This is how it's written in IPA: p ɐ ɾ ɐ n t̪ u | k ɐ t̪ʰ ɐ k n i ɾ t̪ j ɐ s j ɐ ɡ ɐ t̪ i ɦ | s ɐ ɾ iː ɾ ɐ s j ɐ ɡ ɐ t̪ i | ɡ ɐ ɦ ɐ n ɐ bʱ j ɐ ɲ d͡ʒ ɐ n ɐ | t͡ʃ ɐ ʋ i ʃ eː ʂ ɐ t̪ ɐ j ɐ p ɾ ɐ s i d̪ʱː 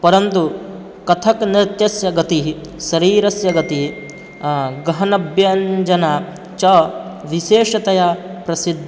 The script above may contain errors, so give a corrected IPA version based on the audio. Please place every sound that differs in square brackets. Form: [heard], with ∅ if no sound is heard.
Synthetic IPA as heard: p ɐ ɾ ɐ n t̪ u | k ɐ t̪ʰ ɐ k n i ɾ t̪ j ɐ s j ɐ ɡ ɐ t̪ i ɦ | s ɐ ɾ iː ɾ ɐ s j ɐ ɡ ɐ t̪ i | ɡ ɐ ɦ ɐ n ɐ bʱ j ɐ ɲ d͡ʒ ɐ n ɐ | t͡ʃ ɐ ʋ i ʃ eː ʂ ɐ t̪ ɐ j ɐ p ɾ ɐ s i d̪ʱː